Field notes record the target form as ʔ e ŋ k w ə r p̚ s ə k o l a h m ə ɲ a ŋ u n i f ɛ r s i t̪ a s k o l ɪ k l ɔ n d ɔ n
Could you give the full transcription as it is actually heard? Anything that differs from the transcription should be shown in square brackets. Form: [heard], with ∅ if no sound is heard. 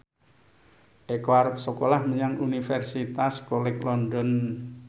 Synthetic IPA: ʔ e [∅] k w [a] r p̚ s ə k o l a h m ə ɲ a ŋ u n i f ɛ r s i t̪ a s k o l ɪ k l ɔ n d ɔ n